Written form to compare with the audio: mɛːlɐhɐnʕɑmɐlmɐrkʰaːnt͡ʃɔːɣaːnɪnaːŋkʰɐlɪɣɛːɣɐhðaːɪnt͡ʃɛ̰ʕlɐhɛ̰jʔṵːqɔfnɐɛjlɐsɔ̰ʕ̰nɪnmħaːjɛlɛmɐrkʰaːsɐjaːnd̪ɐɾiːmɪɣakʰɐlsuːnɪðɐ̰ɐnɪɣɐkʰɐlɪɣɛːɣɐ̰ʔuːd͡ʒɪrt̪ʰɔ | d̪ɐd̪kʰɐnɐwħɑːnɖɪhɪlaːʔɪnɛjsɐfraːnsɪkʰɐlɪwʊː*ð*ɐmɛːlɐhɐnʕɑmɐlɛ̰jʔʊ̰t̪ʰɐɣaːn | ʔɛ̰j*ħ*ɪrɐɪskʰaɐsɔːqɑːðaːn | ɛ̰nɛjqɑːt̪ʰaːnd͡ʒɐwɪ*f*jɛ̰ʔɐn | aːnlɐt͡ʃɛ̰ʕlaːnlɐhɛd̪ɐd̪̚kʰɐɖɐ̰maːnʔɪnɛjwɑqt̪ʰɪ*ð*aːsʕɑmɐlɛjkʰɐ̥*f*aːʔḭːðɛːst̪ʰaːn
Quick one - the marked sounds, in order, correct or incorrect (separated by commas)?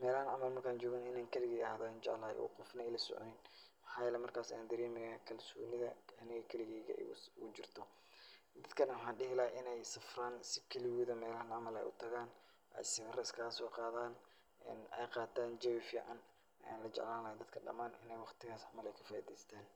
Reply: correct, incorrect, correct, incorrect, correct